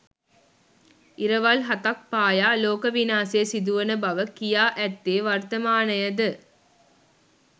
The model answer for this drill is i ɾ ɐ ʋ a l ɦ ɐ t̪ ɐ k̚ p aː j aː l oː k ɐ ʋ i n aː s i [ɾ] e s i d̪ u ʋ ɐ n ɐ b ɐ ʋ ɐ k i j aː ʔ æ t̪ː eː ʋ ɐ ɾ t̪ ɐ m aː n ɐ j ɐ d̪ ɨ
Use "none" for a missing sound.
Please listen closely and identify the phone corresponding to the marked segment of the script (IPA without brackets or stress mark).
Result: none